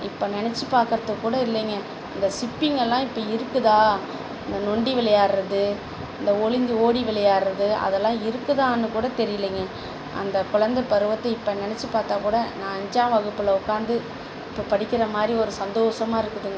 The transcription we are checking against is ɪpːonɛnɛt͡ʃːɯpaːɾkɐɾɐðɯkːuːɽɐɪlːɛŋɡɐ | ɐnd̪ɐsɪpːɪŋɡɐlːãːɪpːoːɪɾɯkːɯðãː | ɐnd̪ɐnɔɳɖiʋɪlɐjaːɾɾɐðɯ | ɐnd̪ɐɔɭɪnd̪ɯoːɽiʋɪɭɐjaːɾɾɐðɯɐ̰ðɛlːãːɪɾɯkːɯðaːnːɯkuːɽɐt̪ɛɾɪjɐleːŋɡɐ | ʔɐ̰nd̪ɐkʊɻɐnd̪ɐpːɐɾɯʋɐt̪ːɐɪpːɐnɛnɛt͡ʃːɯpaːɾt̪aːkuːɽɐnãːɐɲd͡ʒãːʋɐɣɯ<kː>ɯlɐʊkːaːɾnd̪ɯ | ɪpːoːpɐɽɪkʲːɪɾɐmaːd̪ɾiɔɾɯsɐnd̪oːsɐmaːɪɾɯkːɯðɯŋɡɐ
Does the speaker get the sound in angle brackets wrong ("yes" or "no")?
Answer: yes